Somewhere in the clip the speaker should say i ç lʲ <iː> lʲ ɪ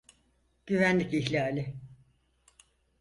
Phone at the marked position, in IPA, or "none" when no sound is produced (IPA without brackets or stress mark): aː